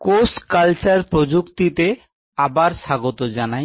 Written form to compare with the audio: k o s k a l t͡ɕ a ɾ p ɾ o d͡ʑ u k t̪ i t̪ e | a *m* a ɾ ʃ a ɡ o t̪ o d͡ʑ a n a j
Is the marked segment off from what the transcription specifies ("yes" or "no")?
yes